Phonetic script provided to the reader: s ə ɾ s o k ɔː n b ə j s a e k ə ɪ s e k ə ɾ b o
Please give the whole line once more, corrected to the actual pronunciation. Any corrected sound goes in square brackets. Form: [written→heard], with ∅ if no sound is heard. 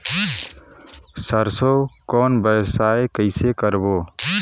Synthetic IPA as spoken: s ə ɾ s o k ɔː n b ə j s a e k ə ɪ s e k ə ɾ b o

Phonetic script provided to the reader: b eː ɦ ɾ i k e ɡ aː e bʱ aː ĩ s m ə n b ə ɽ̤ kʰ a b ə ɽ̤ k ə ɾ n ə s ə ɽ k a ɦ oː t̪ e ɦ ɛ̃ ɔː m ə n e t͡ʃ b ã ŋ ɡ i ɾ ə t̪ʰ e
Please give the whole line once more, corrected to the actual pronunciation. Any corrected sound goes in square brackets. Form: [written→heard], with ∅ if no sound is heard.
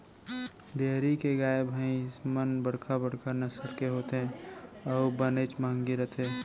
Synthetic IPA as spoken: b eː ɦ ɾ i k e ɡ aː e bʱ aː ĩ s m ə n b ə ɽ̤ kʰ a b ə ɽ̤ k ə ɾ n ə s ə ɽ k [a→e] ɦ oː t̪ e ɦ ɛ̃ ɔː [m→b] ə n e t͡ʃ [b→m] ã ŋ ɡ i ɾ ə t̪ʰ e

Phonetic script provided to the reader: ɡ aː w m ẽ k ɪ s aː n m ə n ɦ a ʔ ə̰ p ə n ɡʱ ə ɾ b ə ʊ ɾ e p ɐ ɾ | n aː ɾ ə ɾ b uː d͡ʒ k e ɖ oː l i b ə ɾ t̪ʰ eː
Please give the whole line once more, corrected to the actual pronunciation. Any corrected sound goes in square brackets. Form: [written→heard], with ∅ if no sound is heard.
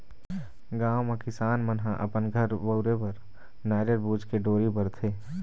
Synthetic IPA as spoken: ɡ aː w m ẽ k ɪ s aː n m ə n ɦ a ʔ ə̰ p ə n ɡʱ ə ɾ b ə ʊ ɾ e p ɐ ɾ | n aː ɾ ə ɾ b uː d͡ʒ k e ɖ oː [l→ɾ] i b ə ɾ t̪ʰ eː

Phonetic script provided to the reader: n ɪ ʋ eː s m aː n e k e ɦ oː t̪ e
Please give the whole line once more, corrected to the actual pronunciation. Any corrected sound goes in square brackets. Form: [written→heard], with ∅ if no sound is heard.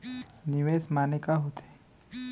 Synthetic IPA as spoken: n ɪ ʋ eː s m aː n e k [e→a] ɦ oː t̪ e

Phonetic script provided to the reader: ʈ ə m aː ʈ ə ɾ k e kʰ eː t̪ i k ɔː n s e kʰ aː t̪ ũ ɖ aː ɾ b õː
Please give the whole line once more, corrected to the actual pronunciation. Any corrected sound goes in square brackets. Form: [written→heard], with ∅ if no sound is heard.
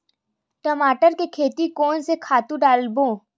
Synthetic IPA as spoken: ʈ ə m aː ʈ ə ɾ k e kʰ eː t̪ i k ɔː n s e kʰ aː t̪ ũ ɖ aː [ɾ→l] b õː

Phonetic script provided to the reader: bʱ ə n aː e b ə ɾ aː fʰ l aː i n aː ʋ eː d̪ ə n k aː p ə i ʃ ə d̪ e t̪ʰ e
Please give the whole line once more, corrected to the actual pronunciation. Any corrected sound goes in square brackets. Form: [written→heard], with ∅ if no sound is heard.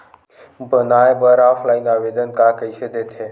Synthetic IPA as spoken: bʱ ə n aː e b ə ɾ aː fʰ l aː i n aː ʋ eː d̪ ə n k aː [p→k] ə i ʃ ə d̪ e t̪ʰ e

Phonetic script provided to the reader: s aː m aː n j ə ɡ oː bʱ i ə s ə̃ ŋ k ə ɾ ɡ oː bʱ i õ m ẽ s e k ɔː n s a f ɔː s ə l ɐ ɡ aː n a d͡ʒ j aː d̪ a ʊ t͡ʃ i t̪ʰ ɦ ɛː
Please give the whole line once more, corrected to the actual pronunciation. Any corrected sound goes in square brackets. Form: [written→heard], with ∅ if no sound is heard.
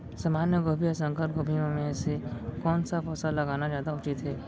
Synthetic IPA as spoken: s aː m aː n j ə ɡ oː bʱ i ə s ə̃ ŋ k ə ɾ ɡ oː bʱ i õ m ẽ s e k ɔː n s a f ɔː s [ə→a] l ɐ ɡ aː n a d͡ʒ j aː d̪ a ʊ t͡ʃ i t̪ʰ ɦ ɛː

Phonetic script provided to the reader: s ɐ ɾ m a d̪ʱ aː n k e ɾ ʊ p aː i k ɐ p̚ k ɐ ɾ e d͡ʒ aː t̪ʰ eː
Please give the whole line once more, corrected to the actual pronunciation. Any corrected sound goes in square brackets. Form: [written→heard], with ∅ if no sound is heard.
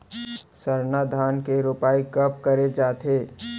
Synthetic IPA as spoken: s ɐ ɾ [m→n] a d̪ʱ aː n k e ɾ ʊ p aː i k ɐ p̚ k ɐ ɾ e d͡ʒ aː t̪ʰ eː

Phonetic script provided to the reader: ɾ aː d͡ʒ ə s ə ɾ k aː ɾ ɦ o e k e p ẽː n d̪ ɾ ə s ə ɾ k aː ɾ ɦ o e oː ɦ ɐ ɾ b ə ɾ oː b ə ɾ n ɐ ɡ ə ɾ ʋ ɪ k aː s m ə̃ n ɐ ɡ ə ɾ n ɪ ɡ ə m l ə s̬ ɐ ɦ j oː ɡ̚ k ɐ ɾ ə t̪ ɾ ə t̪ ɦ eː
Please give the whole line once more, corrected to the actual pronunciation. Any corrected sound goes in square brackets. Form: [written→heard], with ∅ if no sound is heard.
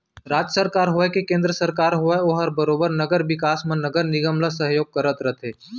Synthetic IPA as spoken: ɾ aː d͡ʒ ə s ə ɾ k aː ɾ ɦ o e k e [p→k] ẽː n d̪ ɾ ə s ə ɾ k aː ɾ ɦ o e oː ɦ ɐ ɾ b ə ɾ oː b ə ɾ n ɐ ɡ ə ɾ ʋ ɪ k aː s m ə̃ n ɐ ɡ ə ɾ n ɪ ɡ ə m l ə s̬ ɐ ɦ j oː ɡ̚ k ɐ ɾ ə t̪ ɾ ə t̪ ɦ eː

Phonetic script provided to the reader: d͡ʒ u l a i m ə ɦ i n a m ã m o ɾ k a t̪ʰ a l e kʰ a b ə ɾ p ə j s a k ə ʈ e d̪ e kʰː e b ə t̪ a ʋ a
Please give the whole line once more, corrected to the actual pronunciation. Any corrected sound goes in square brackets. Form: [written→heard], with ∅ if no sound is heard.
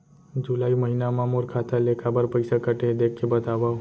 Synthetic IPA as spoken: d͡ʒ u l a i m ə ɦ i n a m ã m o ɾ [k→kʰ] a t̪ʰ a l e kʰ a b ə ɾ p ə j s a k ə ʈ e d̪ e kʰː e b ə t̪ a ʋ a

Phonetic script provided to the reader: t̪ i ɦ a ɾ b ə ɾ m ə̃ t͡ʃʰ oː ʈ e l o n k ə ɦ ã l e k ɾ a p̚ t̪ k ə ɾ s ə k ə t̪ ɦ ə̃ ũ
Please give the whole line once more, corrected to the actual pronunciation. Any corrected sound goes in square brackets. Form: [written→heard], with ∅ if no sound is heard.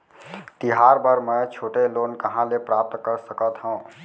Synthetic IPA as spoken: t̪ i ɦ a ɾ b ə ɾ m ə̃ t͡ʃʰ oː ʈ e l o n k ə ɦ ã l e [k→p] ɾ a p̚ t̪ k ə ɾ s ə k ə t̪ ɦ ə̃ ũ

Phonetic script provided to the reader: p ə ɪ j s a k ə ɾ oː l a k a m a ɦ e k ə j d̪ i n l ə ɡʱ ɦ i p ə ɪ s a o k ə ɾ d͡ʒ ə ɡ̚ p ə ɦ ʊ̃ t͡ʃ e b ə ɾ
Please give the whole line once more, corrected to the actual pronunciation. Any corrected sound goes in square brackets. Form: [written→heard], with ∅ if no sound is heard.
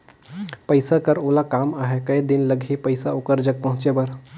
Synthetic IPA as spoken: p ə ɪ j s a k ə ɾ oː l a k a m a ɦ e k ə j d̪ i n l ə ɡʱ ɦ i p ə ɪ s a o k ə ɾ d͡ʒ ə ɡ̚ p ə ɦ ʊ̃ t͡ʃ e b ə ɾ

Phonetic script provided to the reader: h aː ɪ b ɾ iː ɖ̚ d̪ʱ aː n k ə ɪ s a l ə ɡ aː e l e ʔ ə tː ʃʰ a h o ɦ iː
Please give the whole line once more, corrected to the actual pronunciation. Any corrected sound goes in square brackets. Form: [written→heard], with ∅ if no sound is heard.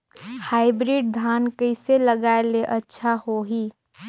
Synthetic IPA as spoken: h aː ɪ b ɾ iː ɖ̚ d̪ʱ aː n k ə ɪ s [a→e] l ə ɡ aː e l e ʔ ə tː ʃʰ a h o ɦ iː

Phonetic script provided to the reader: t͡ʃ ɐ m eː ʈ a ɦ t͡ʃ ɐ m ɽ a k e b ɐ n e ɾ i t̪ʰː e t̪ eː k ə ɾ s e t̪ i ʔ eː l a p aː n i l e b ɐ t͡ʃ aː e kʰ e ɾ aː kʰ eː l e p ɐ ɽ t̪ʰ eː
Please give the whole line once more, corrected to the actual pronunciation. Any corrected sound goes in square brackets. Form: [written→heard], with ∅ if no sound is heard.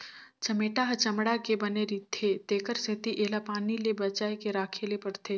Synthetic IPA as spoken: t͡ʃ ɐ m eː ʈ a ɦ t͡ʃ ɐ m ɽ a k e b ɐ n e ɾ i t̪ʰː e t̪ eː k ə ɾ s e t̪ i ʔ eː l a p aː n i l e b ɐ t͡ʃ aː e [kʰ→k] e ɾ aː kʰ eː l e p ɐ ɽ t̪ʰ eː

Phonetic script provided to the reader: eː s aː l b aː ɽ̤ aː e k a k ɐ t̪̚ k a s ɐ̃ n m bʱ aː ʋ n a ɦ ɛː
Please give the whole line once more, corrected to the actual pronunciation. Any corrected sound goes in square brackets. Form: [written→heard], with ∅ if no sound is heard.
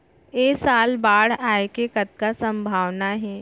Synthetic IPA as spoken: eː s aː l b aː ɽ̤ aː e k [a→e] k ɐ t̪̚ k a s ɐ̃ [n→∅] m bʱ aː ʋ n a ɦ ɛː

